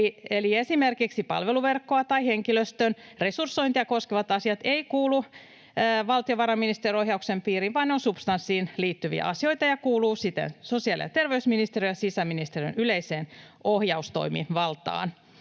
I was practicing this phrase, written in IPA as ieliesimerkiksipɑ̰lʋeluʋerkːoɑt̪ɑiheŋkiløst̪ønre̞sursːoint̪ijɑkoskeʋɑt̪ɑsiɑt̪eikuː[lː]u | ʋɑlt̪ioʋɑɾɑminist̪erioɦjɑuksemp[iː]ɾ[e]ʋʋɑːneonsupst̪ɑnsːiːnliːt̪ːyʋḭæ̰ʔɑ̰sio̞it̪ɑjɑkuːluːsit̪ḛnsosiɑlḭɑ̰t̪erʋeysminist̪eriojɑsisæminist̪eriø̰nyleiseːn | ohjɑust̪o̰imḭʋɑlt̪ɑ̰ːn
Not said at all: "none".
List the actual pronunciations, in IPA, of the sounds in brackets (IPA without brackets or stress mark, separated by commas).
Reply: l, iː, i